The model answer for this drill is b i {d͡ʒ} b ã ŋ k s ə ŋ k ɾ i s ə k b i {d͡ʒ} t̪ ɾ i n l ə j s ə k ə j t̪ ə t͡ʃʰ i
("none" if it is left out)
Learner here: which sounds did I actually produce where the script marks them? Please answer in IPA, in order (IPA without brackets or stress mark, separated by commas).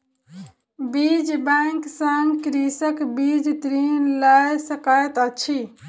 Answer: d͡ʒ, d͡ʒ